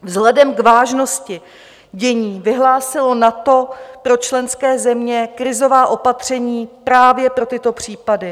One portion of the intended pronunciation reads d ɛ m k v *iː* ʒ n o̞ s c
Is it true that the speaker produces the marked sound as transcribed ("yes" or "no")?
no